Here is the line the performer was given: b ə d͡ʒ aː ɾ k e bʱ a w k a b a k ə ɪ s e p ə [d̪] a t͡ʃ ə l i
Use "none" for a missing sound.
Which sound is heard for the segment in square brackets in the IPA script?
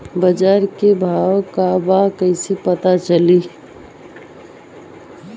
t̪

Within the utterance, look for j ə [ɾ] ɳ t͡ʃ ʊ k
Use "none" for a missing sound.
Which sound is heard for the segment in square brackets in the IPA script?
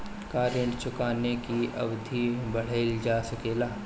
none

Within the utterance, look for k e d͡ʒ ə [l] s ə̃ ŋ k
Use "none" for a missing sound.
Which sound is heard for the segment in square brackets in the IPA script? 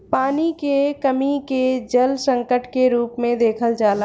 l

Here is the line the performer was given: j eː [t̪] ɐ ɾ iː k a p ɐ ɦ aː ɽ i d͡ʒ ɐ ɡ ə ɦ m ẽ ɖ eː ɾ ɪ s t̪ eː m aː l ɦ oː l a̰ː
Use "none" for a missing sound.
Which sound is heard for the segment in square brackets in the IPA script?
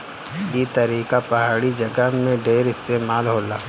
t̪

